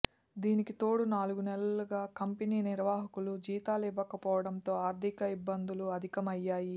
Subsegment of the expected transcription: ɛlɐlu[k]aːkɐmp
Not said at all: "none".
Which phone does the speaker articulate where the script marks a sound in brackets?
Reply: ɡ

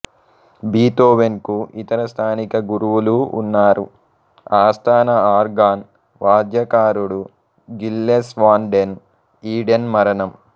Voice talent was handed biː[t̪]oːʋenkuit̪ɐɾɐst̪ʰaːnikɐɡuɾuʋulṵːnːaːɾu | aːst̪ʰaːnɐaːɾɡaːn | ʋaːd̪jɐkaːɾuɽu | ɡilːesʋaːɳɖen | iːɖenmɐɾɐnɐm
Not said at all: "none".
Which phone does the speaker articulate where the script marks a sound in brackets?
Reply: t̪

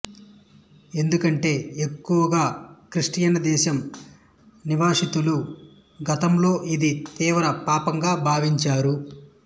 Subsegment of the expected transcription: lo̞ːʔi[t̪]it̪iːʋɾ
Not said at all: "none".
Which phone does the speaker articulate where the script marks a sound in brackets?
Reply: d̪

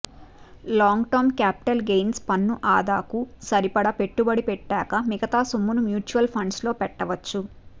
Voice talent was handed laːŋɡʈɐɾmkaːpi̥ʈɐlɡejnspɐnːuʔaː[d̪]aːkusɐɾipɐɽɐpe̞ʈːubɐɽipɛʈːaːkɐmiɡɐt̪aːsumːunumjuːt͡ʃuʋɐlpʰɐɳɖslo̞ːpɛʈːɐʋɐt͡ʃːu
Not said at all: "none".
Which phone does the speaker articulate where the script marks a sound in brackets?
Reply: d̪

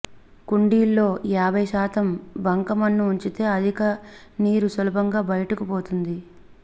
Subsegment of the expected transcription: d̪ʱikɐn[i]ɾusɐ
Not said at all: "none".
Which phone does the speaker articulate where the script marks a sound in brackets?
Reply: iː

